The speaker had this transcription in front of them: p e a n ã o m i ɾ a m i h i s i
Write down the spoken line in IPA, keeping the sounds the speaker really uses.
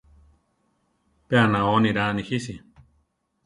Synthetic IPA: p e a n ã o n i ɾ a n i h i s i